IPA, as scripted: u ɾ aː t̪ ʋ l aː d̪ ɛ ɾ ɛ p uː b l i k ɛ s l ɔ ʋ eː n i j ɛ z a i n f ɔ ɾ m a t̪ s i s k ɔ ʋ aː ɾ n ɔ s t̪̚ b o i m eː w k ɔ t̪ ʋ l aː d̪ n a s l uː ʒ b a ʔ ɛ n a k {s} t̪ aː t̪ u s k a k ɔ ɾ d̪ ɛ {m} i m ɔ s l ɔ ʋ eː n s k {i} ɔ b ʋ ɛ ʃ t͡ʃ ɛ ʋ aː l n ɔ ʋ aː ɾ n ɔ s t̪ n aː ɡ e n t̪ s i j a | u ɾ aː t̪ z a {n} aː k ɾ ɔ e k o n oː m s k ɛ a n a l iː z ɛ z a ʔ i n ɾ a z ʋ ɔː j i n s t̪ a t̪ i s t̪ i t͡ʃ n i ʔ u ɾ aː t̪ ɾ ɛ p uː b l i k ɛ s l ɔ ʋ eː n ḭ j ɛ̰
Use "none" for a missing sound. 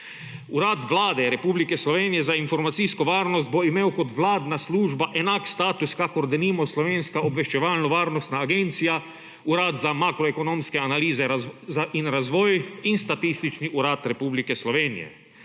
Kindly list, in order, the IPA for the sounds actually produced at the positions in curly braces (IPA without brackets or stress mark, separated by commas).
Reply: s, n, a, m